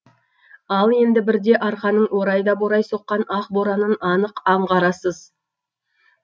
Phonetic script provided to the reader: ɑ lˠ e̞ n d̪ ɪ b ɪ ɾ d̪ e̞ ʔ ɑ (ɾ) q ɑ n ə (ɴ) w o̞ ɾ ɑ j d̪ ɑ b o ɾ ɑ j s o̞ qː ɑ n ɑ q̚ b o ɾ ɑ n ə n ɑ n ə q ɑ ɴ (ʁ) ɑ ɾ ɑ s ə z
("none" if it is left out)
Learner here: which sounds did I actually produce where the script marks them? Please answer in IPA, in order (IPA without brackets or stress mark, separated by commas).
ɾ, ɴ, ʁ